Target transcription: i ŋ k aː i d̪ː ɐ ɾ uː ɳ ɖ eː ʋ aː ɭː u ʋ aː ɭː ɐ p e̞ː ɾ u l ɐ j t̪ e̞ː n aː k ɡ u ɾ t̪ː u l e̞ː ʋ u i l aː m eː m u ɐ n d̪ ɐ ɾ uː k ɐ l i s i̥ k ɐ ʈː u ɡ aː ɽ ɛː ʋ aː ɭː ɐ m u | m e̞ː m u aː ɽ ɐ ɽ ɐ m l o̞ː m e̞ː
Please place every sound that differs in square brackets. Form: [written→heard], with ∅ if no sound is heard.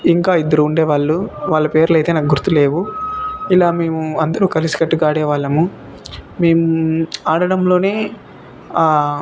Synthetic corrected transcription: i ŋ k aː i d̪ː ɐ ɾ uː ɳ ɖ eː ʋ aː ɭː u ʋ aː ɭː ɐ p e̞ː ɾ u l ɐ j t̪ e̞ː n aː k ɡ u ɾ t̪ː u l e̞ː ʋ u i l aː m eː m u ɐ n d̪ ɐ ɾ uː k ɐ l i s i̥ k ɐ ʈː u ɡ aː ɽ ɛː ʋ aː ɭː ɐ m u | m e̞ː m u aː ɽ ɐ ɽ ɐ m l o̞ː [m→n] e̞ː